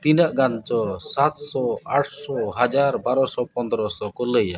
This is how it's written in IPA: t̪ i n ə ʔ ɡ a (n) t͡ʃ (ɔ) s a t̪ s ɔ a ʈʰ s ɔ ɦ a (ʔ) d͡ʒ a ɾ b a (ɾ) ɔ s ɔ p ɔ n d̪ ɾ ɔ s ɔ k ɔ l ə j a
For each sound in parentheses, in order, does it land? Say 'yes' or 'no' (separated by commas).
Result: yes, yes, no, yes